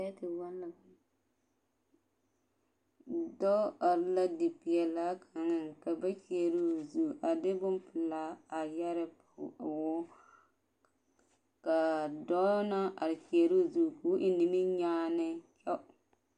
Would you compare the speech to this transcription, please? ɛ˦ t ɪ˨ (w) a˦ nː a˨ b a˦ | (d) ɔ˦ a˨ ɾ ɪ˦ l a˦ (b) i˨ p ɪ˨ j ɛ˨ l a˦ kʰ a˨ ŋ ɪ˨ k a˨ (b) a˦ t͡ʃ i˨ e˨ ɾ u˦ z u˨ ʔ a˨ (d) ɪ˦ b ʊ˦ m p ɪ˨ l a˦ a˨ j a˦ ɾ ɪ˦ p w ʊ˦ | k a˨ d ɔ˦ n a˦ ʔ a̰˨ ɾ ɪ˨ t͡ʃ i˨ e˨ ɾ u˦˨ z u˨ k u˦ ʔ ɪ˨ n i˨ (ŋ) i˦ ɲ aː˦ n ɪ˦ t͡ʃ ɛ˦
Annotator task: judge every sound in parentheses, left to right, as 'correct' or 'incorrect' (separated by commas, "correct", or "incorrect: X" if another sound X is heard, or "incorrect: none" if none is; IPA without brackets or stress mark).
correct, correct, incorrect: d, correct, correct, incorrect: m